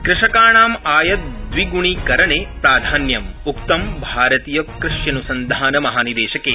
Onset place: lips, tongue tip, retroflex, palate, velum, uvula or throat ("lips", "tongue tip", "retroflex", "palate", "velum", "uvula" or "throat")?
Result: velum